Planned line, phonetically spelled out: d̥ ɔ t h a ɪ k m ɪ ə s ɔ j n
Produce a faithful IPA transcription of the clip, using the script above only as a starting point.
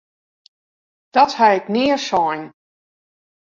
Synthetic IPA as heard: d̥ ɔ t h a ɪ k n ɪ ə s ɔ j n